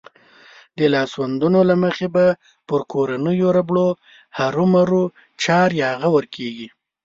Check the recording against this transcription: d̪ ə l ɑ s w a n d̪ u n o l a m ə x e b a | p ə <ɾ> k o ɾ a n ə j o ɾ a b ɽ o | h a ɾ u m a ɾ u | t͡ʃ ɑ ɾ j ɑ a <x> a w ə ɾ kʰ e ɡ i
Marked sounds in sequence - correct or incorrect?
correct, incorrect

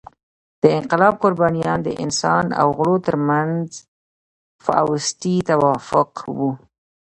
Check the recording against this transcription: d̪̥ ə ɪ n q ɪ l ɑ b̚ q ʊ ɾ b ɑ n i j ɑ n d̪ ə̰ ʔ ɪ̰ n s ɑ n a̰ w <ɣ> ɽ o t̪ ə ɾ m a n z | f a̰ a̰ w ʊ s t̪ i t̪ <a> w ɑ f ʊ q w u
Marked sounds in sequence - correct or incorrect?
correct, correct

